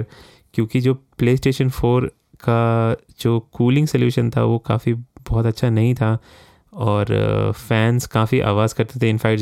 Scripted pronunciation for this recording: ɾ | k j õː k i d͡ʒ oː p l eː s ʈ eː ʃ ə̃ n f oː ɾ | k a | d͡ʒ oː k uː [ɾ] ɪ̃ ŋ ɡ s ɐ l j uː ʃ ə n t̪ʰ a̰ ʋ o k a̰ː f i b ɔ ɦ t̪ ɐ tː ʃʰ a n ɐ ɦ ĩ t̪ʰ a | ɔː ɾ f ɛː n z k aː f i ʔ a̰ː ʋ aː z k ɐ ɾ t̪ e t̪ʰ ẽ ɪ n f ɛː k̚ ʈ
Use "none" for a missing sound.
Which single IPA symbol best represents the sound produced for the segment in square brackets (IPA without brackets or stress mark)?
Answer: l